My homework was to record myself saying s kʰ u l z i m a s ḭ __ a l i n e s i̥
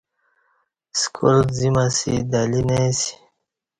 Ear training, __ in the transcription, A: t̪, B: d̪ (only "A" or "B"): B